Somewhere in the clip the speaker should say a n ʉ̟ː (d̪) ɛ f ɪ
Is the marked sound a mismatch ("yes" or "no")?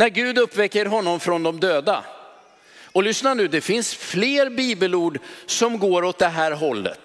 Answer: no